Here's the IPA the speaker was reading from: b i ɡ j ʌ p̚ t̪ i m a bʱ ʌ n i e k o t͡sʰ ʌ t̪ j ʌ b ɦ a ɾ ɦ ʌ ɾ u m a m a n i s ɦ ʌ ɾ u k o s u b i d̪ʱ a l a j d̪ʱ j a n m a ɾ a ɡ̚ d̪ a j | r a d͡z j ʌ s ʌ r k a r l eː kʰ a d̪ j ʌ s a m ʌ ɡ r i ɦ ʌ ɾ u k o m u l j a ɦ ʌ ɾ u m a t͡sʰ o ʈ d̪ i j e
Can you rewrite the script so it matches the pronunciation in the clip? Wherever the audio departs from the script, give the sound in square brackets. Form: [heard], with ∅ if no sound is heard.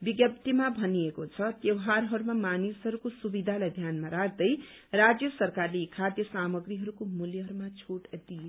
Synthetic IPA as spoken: b i ɡ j ʌ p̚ t̪ i m a bʱ ʌ n i e k o t͡sʰ ʌ t̪ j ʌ [w] ɦ a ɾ ɦ ʌ ɾ u m a m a n i s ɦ ʌ ɾ u k o s u b i d̪ʱ a l a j d̪ʱ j a n m a ɾ a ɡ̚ d̪ [ʌ] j | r a d͡z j ʌ s ʌ r k a r l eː kʰ a d̪ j ʌ s a m ʌ ɡ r i ɦ ʌ ɾ u k o m u l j [ʌ] ɦ ʌ ɾ u m a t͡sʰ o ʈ d̪ i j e